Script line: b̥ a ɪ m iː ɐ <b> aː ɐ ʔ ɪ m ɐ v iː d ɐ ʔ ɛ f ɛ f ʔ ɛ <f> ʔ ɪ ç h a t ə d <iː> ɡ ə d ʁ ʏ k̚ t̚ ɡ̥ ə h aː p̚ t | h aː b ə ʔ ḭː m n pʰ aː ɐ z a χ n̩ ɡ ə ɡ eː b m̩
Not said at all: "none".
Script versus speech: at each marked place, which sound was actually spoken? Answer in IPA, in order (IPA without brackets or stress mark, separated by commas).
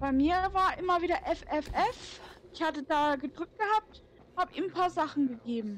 v, f, aː